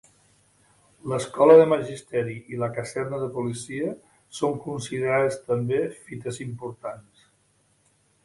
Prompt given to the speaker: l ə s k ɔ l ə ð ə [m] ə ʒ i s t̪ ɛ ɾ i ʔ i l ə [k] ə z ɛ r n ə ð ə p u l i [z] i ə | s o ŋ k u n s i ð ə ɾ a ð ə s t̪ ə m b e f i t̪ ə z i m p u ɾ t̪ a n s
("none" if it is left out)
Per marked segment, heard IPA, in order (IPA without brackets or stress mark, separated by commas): m, k, s